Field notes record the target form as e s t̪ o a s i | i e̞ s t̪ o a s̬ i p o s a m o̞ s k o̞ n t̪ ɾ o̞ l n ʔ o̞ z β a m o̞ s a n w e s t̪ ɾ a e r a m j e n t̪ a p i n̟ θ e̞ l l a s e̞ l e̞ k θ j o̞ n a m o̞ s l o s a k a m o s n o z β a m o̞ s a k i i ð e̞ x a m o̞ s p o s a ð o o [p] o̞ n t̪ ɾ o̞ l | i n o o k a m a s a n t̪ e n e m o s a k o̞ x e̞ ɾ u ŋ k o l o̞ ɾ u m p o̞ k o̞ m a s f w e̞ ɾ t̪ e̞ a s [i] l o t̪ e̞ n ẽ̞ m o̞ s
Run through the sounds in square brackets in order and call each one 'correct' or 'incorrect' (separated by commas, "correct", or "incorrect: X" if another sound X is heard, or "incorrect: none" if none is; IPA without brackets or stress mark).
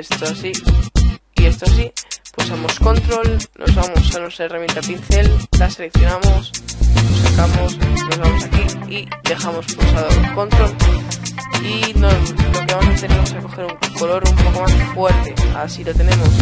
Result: incorrect: k, correct